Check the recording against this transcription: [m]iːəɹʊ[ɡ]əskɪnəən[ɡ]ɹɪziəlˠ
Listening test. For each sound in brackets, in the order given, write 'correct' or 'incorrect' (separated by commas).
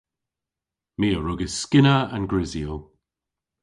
correct, correct, correct